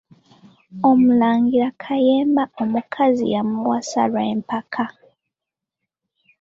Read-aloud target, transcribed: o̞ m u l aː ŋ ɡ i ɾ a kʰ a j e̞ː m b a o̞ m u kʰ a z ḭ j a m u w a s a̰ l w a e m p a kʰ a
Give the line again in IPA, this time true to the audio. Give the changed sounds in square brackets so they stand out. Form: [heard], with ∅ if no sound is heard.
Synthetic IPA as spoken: o̞ m u l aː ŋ ɡ i ɾ a kʰ a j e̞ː m b a o̞ m u kʰ a z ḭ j a m u w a s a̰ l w a e m p a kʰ a